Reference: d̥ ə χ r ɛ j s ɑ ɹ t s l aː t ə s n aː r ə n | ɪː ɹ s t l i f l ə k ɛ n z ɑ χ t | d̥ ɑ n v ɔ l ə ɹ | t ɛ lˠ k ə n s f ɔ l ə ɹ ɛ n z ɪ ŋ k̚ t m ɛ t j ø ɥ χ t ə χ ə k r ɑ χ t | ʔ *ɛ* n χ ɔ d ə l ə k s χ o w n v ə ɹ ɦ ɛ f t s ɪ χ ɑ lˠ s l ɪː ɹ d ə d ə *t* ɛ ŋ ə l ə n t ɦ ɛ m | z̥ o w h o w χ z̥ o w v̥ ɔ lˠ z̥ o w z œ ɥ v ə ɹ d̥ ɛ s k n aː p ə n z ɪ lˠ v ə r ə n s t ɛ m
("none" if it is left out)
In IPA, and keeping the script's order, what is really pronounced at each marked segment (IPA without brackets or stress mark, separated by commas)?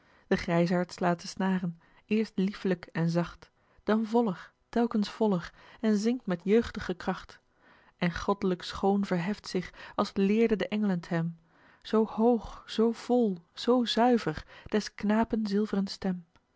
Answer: ɛ, ʔ